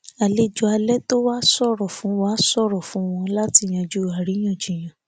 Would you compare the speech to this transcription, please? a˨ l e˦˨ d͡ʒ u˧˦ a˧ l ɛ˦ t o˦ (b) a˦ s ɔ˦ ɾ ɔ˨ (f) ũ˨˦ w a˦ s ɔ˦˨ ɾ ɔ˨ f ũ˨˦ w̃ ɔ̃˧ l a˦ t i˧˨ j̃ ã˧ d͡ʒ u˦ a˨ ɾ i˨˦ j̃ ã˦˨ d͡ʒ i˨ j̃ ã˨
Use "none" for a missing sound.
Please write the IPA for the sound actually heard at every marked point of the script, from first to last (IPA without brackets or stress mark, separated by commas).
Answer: w, f